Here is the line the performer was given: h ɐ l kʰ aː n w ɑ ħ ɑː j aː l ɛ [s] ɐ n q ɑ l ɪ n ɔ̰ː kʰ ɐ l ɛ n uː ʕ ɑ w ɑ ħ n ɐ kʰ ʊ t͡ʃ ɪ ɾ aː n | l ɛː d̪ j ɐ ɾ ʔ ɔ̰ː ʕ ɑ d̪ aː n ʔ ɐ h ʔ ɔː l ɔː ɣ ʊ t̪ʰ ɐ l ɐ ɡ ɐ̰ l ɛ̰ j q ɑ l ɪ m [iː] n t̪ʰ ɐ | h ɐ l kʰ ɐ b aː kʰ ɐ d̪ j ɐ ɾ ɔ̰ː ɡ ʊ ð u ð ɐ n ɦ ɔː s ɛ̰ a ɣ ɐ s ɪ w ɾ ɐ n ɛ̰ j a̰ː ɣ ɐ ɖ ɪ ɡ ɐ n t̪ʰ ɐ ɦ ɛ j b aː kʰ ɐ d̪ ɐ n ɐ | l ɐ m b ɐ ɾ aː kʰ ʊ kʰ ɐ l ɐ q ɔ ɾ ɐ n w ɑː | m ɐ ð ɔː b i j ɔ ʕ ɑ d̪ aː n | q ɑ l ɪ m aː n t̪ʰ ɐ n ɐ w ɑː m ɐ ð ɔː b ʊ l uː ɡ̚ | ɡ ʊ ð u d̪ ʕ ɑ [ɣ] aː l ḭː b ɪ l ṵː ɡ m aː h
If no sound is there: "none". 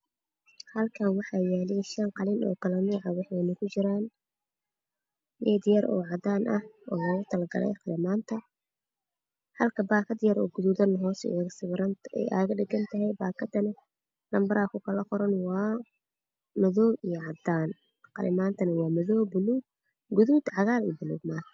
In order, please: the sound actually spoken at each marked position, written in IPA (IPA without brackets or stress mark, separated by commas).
ʃ, aː, ɣ